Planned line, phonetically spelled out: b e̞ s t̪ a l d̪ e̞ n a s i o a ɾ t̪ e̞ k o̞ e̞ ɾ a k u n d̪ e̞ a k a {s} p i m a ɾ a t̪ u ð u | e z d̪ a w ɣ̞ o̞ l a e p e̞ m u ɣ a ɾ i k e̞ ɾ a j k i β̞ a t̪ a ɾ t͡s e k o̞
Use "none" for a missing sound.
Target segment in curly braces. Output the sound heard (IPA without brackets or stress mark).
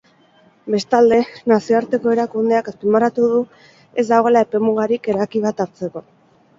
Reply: s